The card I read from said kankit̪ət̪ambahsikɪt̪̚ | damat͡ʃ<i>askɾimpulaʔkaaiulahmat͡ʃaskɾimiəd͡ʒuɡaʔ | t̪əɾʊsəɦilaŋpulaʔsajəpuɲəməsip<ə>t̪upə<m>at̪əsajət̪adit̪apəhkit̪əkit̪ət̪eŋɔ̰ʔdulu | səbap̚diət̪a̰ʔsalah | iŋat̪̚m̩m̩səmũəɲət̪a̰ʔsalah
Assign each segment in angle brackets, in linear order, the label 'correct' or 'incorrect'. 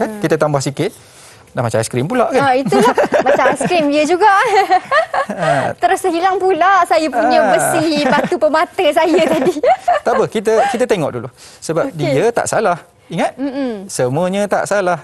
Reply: incorrect: a, incorrect: a, correct

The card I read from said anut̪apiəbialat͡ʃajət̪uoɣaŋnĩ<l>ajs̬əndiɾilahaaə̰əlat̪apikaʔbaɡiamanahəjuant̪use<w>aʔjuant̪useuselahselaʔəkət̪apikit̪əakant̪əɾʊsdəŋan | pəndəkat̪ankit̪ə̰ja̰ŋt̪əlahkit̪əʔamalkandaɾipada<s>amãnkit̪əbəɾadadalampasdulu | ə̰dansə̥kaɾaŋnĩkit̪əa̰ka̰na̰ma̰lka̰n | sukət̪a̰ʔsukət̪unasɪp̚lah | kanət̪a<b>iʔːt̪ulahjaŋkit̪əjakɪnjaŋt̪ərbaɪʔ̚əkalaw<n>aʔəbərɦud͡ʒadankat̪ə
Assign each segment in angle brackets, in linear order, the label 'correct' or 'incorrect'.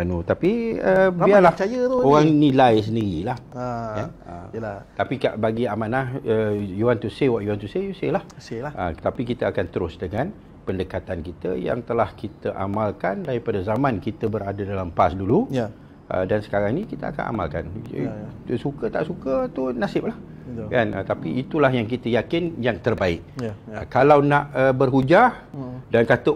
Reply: correct, correct, incorrect: z, incorrect: p, correct

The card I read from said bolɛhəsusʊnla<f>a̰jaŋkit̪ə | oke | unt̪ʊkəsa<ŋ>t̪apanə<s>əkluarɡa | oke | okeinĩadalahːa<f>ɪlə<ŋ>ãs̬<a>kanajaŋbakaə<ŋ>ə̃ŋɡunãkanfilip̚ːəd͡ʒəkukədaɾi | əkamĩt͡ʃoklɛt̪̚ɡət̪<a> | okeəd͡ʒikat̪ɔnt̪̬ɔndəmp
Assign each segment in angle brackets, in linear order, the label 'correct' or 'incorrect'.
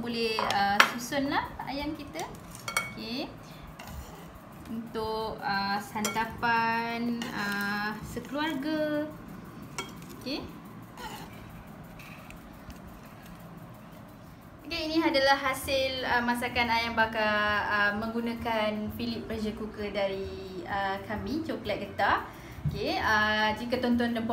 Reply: incorrect: h, incorrect: n, correct, incorrect: s, incorrect: m, correct, incorrect: m, correct

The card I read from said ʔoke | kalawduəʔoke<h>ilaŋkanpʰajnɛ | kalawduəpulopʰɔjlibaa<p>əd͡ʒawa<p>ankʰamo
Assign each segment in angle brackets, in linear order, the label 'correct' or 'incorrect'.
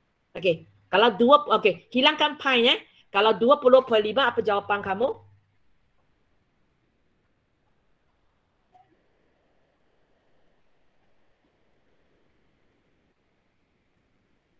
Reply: correct, correct, correct

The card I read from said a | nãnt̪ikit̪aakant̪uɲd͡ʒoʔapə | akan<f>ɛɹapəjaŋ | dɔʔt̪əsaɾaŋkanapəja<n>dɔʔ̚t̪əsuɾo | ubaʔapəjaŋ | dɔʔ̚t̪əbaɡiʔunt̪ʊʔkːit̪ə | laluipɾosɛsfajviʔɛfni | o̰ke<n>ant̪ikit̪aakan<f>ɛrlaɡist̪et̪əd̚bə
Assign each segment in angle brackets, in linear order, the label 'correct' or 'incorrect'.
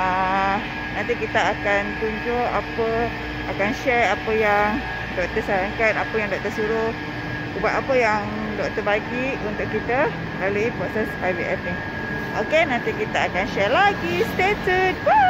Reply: incorrect: ʃ, incorrect: ŋ, correct, incorrect: ʃ

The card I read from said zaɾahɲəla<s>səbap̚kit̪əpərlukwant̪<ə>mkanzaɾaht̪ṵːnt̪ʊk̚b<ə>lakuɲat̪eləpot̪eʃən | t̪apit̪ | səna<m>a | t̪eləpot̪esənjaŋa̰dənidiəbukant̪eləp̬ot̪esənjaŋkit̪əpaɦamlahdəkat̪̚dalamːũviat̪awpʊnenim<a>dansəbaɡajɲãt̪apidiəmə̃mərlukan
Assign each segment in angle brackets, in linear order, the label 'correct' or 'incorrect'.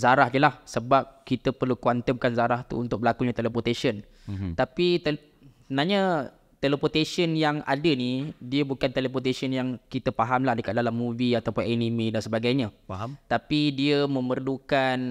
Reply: incorrect: h, correct, correct, incorrect: ɲ, incorrect: i

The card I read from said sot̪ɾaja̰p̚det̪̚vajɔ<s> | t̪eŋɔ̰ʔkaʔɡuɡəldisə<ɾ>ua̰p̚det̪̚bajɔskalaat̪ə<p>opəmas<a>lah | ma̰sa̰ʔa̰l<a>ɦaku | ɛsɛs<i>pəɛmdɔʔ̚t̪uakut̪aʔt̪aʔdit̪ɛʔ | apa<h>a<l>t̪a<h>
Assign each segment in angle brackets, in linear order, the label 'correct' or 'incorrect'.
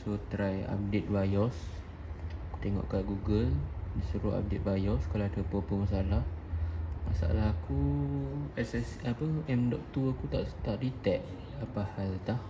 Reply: correct, correct, correct, correct, correct, incorrect: a, correct, correct, correct

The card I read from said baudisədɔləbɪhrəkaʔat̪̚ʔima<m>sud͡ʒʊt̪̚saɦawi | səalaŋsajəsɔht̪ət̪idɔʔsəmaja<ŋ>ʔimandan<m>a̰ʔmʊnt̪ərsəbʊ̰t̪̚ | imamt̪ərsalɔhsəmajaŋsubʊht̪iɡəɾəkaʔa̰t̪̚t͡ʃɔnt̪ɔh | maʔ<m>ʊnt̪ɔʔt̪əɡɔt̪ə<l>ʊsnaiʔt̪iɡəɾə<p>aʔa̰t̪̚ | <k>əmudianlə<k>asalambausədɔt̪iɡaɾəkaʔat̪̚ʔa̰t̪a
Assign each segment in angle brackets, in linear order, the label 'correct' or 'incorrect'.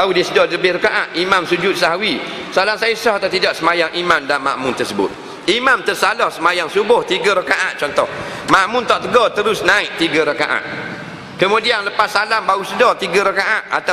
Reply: correct, correct, correct, correct, incorrect: ɾ, incorrect: k, correct, incorrect: p

